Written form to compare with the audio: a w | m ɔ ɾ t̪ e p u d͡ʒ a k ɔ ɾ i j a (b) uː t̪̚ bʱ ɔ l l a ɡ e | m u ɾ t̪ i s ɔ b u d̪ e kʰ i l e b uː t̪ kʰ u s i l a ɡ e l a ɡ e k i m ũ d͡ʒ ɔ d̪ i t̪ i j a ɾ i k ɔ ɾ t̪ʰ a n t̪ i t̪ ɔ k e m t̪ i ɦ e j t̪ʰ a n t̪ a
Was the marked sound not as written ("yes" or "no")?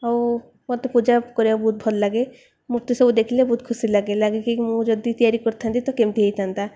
no